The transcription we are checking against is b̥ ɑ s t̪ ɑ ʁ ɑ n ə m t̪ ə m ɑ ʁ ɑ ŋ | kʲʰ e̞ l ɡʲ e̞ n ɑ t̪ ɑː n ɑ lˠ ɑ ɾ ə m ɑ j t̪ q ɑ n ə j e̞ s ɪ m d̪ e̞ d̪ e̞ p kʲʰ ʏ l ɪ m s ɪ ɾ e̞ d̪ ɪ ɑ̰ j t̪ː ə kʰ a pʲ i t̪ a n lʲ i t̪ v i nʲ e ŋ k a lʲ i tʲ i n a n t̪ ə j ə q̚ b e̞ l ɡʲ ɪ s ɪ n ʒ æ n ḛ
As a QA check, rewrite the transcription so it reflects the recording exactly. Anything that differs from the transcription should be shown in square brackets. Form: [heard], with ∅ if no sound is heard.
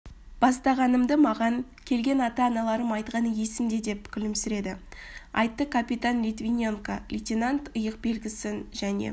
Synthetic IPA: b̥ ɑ s t̪ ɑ ʁ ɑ n ə m [d̪] ə m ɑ ʁ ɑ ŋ | kʲʰ e̞ l ɡʲ e̞ n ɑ t̪ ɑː n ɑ lˠ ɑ ɾ ə m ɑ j t̪ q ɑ n ə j e̞ s ɪ m d̪ e̞ d̪ e̞ p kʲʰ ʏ l ɪ m s ɪ ɾ e̞ d̪ ɪ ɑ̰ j t̪ː ə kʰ a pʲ i t̪ a n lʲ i t̪ v i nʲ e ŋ k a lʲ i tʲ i n a n t̪ ə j ə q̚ b e̞ l ɡʲ ɪ s ɪ n ʒ æ n ḛ